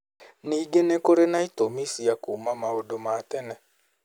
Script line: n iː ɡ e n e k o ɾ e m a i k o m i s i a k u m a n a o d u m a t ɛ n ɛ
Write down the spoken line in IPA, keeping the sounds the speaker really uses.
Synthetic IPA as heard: n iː ɡ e n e k o ɾ e n a i t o m i s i a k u m a m a o d o m a t ɛ n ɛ